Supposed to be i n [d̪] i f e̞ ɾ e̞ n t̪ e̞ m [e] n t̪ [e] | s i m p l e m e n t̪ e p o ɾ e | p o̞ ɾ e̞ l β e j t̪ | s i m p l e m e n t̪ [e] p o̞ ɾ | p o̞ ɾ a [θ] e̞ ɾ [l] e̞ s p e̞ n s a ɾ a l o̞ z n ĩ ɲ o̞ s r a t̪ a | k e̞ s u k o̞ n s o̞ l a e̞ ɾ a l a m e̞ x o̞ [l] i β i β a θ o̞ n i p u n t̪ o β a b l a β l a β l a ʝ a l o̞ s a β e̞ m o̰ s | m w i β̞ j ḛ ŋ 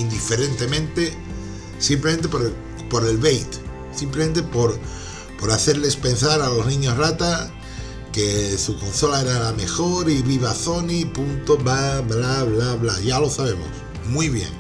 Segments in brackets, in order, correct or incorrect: correct, incorrect, correct, correct, correct, correct, incorrect

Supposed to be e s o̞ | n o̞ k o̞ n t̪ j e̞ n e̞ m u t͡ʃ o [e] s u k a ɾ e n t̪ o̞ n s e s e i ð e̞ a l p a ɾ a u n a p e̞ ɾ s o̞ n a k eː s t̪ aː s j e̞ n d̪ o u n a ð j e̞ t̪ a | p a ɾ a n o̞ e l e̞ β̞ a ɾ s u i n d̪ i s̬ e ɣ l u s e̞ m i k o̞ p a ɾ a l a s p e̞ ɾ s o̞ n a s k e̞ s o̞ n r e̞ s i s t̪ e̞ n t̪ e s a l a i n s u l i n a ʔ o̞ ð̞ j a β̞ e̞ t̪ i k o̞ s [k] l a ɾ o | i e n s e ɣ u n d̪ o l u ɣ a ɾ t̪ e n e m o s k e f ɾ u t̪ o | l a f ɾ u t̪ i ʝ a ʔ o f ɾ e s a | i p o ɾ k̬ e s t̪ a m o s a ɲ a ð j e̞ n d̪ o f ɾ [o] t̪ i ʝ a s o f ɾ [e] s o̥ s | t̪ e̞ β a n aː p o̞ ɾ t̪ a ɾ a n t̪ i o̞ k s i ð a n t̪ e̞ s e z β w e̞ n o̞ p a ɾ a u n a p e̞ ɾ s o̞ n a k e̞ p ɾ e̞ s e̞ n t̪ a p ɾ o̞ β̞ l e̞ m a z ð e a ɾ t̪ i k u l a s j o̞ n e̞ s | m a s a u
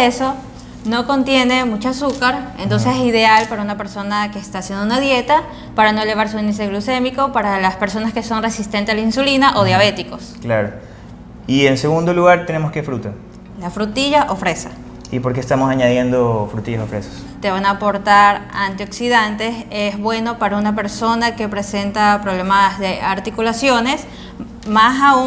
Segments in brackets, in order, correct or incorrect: incorrect, correct, incorrect, correct

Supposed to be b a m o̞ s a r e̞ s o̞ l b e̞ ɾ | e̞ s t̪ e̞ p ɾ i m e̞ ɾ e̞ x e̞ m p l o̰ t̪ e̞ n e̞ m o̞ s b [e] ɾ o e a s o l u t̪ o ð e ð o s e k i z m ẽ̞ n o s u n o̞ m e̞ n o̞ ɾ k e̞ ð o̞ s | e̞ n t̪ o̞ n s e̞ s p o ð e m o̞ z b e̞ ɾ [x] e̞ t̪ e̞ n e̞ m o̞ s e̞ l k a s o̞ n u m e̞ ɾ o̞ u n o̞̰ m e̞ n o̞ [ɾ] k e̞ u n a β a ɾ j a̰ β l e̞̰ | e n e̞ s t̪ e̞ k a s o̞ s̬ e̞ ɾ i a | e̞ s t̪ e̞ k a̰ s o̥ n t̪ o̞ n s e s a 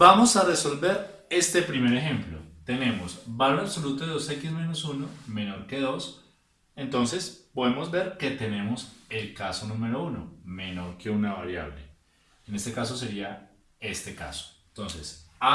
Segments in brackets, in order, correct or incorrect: incorrect, incorrect, correct

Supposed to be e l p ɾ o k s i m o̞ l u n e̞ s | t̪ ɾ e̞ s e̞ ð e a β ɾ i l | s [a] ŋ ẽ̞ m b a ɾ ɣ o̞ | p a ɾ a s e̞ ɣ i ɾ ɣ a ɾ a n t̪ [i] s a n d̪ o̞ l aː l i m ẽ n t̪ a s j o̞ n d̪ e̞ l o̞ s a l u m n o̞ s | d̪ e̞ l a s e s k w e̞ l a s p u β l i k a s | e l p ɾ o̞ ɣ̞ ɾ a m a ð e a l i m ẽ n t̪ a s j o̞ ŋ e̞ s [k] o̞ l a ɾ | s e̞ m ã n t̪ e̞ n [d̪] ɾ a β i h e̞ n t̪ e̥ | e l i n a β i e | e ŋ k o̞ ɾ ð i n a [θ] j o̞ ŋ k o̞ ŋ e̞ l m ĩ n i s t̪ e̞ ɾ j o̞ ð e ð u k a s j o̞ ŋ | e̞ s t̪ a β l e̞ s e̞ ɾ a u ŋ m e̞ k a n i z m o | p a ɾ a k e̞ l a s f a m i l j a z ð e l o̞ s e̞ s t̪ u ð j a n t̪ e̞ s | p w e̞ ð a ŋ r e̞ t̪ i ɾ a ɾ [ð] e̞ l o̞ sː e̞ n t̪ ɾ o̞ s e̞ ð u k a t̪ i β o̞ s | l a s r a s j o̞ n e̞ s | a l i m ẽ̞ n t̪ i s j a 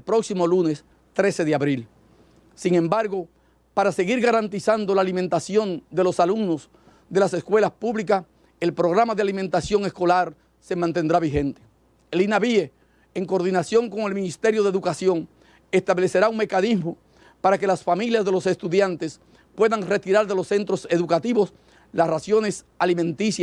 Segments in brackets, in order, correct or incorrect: incorrect, correct, correct, correct, incorrect, correct

